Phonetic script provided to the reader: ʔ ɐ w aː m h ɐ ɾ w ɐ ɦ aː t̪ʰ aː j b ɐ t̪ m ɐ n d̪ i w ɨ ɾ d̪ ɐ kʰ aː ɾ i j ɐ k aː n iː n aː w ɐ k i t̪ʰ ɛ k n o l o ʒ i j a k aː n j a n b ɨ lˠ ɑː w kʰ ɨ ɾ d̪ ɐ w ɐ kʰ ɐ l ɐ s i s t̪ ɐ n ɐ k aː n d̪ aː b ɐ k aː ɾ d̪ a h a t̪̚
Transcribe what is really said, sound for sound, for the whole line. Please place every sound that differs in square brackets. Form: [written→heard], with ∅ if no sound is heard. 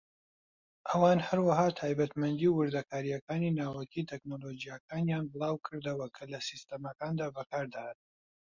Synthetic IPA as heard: ʔ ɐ w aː [m→n] h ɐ ɾ w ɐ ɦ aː t̪ʰ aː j b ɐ t̪ m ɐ n d̪ i w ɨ ɾ d̪ ɐ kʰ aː ɾ i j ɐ k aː n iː n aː w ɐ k i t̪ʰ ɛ k n o l o [ʒ→d͡ʒ] i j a k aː n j a n b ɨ lˠ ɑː w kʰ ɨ ɾ d̪ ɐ w ɐ kʰ ɐ l ɐ s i s t̪ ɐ [n→m] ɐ k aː n d̪ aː b ɐ k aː ɾ d̪ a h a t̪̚